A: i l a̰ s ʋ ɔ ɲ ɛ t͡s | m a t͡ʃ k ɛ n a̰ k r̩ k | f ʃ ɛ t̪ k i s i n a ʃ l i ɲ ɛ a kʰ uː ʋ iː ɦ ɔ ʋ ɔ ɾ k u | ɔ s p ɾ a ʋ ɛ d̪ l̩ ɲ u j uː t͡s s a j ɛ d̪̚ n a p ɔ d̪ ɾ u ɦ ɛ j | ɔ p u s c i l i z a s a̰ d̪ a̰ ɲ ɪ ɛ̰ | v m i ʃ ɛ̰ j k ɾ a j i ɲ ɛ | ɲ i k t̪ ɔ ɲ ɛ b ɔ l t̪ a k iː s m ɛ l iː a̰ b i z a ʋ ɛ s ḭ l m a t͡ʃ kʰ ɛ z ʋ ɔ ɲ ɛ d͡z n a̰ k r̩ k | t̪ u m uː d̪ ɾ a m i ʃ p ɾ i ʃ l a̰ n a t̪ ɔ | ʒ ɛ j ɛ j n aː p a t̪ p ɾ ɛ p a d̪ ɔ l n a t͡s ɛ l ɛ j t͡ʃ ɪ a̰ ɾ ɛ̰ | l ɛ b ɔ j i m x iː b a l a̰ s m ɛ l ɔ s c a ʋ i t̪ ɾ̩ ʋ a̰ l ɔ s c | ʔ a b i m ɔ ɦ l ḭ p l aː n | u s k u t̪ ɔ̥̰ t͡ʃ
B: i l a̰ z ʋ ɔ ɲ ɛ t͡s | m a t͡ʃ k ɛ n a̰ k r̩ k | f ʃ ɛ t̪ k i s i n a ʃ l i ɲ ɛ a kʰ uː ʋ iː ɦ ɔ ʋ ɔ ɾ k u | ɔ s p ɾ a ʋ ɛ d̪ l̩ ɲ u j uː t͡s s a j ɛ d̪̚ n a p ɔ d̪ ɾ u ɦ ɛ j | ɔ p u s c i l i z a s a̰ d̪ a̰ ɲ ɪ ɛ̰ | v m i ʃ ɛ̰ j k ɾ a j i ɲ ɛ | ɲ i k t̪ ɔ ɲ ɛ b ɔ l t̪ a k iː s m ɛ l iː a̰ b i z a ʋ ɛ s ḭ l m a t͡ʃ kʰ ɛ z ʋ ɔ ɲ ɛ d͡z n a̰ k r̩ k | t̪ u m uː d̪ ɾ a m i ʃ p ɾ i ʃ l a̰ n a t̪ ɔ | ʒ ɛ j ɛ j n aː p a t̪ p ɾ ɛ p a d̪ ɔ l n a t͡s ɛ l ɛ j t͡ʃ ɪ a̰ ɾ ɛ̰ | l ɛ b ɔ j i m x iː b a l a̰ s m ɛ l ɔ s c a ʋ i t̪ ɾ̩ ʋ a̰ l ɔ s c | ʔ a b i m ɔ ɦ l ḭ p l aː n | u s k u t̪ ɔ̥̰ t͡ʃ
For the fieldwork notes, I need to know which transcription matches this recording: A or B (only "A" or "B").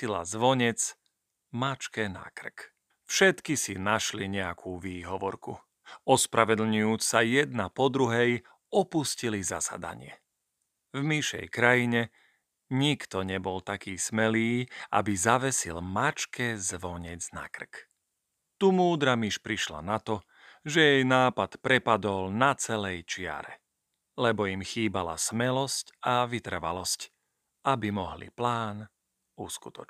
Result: B